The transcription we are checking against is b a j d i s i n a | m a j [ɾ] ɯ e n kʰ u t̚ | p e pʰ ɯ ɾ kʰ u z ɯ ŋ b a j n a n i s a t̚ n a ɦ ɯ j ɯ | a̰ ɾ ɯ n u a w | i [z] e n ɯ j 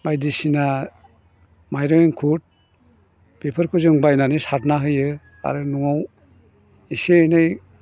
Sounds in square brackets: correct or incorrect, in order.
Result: correct, incorrect: s

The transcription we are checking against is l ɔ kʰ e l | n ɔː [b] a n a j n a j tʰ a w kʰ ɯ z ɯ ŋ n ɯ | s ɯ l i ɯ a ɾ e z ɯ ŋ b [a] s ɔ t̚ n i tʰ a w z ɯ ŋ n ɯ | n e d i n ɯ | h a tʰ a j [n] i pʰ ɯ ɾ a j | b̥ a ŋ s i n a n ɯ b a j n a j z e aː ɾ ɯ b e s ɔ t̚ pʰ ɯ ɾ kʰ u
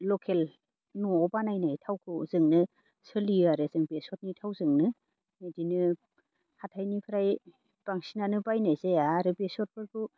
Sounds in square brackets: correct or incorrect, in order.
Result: correct, incorrect: e, correct

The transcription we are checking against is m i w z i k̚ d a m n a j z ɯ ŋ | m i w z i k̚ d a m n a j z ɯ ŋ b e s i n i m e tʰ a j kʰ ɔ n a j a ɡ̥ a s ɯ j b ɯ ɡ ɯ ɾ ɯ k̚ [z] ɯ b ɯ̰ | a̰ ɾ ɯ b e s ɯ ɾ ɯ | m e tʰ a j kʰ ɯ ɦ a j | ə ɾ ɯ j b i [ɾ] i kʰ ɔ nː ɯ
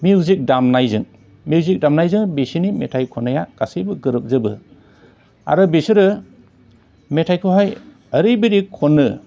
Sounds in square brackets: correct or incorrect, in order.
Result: correct, correct

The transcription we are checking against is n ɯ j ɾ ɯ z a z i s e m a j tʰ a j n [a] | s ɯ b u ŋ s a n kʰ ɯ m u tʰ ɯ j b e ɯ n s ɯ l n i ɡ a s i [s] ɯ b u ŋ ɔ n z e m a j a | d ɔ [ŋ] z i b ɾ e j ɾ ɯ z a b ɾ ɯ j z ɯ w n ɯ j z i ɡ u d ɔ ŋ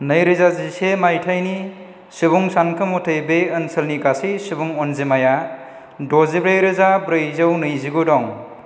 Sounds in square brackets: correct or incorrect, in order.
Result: incorrect: i, correct, incorrect: none

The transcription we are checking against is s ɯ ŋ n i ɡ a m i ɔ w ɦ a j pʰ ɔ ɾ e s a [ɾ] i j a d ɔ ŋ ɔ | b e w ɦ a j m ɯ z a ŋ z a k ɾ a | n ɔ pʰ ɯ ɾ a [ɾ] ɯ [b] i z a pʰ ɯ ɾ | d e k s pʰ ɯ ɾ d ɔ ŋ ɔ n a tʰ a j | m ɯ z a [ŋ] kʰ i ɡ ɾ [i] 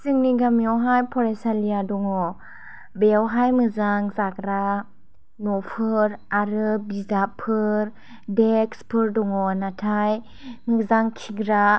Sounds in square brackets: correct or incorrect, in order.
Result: incorrect: l, correct, correct, correct, incorrect: a

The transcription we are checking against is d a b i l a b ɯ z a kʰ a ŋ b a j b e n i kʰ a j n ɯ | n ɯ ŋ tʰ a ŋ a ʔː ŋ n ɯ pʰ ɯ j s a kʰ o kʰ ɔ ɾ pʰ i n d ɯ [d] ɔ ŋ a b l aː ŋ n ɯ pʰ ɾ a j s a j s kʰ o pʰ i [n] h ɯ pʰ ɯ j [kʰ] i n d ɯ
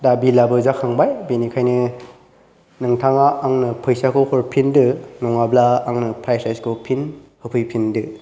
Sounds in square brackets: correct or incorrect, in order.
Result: incorrect: n, correct, incorrect: pʰ

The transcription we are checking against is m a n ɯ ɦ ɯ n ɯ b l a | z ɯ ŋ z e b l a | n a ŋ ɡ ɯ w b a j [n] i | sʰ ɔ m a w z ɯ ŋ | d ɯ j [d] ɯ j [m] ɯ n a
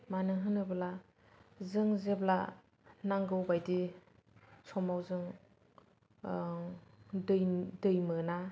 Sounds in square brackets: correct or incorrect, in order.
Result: incorrect: d, correct, correct

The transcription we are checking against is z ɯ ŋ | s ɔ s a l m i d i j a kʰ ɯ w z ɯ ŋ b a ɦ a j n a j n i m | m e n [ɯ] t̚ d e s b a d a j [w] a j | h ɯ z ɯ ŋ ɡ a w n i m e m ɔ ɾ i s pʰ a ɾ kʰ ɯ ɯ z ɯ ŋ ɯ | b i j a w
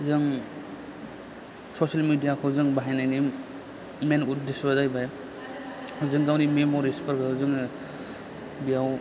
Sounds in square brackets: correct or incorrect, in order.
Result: incorrect: u, incorrect: b

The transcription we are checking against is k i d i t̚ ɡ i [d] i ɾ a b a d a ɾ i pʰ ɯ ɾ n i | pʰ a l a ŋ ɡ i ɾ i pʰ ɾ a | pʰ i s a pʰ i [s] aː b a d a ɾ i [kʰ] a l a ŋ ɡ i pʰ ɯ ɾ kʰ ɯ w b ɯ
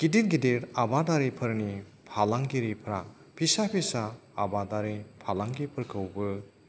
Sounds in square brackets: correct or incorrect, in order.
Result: correct, correct, incorrect: pʰ

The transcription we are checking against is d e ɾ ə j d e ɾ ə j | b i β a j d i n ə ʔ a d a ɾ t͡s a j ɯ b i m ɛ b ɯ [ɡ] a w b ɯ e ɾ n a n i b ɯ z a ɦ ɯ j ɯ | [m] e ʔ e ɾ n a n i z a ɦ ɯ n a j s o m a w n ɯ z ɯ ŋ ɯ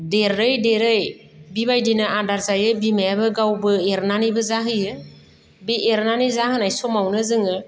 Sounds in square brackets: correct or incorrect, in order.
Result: correct, incorrect: b

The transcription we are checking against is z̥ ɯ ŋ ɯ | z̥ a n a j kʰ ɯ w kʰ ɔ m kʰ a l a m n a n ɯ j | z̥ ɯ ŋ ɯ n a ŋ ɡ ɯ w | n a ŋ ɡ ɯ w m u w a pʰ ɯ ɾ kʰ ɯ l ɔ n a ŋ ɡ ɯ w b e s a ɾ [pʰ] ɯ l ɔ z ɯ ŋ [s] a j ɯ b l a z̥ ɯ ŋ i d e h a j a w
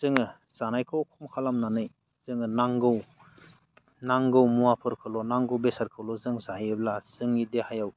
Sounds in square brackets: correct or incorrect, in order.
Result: incorrect: kʰ, incorrect: z

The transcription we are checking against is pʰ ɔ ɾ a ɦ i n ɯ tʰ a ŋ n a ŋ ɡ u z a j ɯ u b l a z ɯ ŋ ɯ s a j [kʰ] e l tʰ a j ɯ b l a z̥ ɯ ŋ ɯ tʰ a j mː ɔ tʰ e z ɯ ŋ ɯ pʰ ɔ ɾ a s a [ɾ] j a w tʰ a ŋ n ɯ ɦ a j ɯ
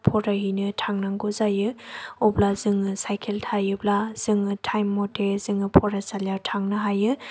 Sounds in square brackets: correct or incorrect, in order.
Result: correct, incorrect: l

